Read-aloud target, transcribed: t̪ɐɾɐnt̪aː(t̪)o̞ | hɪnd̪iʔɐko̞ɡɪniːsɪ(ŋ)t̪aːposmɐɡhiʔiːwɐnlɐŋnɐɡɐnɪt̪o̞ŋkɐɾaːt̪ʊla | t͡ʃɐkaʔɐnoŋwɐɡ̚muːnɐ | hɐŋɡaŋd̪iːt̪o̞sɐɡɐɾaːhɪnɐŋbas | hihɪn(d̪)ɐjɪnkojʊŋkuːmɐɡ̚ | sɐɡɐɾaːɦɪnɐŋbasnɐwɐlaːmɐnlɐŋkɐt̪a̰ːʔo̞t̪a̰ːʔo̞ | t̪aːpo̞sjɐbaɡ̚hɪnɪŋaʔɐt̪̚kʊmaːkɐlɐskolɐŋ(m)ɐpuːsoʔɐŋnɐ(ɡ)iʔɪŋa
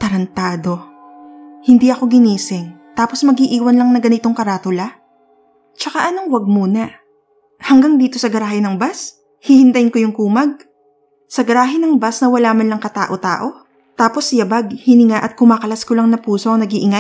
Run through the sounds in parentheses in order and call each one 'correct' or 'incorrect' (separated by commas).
incorrect, correct, incorrect, incorrect, correct